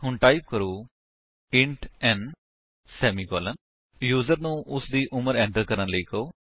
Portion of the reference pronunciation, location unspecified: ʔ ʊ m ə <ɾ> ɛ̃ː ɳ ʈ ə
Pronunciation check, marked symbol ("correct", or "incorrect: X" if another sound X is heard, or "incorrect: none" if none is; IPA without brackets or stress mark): correct